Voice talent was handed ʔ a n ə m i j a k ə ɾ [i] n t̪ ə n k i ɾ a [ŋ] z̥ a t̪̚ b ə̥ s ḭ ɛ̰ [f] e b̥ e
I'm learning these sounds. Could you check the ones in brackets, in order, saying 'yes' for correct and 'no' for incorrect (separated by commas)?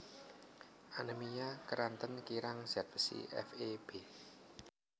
no, yes, yes